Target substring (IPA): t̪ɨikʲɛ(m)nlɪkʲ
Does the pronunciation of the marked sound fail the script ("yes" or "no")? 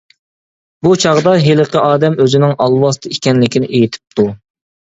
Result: yes